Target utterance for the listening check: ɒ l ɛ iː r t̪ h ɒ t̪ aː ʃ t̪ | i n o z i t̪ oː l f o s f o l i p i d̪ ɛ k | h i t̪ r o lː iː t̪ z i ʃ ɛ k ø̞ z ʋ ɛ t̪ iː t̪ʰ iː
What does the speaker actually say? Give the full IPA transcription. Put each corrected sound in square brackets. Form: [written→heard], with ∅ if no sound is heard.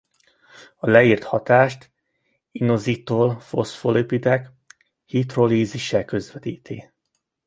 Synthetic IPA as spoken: ɒ l ɛ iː r t̪ h ɒ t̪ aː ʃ t̪ | i n o z i t̪ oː l f o s f o l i p i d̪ ɛ k | h i t̪ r o [lː→l] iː [t̪→∅] z i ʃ ɛ k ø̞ z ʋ ɛ t̪ iː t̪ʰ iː